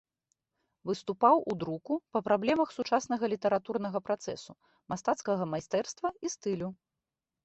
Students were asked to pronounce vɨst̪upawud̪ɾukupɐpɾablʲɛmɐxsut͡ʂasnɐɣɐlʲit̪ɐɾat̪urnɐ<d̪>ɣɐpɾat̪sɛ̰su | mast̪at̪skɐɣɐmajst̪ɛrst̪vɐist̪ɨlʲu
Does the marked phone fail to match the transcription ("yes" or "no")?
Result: yes